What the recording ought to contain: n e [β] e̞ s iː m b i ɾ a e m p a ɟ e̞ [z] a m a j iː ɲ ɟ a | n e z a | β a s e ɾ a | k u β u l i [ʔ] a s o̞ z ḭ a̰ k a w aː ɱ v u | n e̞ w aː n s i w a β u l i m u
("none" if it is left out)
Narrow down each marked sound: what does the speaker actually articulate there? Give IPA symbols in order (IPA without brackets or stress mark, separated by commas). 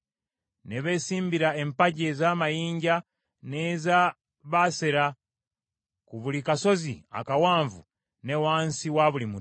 β, z, k